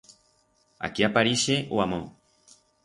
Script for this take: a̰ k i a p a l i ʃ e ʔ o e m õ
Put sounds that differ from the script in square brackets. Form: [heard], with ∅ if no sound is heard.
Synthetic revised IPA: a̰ k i a p a [ɾ] i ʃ e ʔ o [a] m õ